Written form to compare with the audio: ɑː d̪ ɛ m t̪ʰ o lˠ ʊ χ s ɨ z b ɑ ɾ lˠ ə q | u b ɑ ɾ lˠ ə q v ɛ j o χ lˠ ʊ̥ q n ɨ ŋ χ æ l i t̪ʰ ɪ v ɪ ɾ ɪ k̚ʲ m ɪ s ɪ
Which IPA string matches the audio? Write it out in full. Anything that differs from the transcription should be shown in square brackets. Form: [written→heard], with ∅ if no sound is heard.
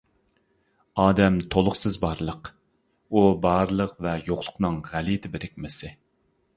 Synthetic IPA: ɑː d̪ ɛ m t̪ʰ o lˠ ʊ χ s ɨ z b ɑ ɾ lˠ ə q | u b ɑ ɾ lˠ ə q v ɛ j o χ lˠ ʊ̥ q n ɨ ŋ [χ→ʁ] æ l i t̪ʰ ɪ [v→b] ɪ ɾ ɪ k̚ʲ m ɪ s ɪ